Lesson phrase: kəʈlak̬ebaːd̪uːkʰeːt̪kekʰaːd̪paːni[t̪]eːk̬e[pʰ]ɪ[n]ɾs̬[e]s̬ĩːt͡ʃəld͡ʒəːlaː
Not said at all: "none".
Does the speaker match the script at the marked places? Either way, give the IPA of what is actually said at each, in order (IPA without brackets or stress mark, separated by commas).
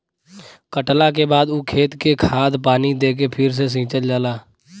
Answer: d̪, pʰ, none, e